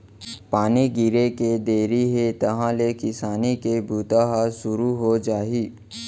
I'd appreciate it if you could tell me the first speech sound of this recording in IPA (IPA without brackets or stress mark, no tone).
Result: p